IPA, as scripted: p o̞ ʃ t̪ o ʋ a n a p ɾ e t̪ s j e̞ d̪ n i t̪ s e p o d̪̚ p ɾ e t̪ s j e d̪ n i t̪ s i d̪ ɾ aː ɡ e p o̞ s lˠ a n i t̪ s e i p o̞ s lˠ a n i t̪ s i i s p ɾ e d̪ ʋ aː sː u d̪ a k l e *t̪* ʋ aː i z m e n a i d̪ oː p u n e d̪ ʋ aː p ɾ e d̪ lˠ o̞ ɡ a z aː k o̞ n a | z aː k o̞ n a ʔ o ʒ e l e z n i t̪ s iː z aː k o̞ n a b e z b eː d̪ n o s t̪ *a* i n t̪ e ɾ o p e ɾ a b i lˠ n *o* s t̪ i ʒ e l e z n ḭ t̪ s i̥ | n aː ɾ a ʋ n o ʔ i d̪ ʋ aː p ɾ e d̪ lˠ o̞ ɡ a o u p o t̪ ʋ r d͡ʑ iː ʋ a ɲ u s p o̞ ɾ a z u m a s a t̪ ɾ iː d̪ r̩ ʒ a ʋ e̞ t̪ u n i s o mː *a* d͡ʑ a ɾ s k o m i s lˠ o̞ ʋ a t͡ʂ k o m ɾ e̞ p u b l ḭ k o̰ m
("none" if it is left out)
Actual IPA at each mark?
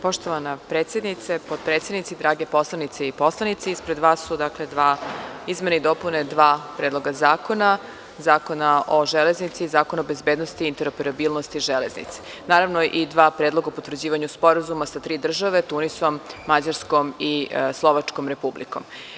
d̪, i, o, a

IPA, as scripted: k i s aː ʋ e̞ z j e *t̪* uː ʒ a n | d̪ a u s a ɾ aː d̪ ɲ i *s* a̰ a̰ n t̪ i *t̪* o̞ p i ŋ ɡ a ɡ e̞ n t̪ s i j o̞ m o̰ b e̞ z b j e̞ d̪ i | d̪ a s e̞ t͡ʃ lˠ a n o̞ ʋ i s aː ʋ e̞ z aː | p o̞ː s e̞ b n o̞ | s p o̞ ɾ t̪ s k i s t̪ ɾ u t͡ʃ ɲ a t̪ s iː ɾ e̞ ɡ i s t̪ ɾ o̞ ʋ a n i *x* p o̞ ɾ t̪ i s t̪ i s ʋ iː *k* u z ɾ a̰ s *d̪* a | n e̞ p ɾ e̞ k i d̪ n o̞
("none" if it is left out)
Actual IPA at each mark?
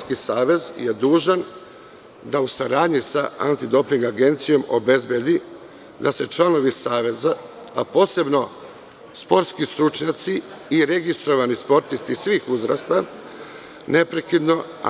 d̪, s, d̪, s, x, t̪

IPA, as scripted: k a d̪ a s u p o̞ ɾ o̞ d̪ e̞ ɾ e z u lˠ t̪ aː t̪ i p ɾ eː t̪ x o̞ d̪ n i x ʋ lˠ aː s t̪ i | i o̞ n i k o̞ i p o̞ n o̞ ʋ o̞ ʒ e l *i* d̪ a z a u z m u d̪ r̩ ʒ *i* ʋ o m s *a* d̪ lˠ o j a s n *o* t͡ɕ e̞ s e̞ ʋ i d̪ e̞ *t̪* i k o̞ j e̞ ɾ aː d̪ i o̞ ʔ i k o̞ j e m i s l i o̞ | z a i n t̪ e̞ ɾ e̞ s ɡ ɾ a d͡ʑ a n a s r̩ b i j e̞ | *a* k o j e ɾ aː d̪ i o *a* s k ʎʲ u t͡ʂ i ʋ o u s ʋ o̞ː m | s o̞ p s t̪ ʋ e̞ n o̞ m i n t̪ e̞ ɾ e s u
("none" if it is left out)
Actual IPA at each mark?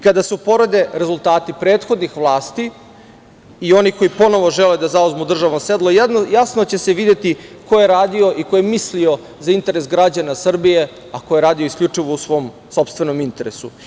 e, a, e, o, t̪, a, i

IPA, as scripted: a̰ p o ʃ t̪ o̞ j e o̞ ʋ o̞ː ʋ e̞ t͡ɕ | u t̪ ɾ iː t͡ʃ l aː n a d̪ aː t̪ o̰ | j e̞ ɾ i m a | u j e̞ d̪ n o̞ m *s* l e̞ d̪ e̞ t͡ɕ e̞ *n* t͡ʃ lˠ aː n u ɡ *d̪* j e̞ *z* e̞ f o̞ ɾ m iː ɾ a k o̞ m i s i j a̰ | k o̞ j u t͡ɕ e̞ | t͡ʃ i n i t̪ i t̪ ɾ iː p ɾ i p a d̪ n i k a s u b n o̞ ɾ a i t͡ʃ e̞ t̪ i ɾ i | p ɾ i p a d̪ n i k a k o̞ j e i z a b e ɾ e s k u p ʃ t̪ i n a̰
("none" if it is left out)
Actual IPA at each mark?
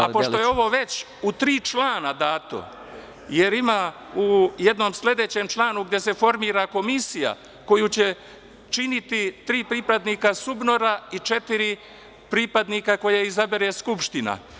s, m, d̪, s

